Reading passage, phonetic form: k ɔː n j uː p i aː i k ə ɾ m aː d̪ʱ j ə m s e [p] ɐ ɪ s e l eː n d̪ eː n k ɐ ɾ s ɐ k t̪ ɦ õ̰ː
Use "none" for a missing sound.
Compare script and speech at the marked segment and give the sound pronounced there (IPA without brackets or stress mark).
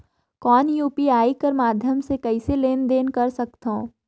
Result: k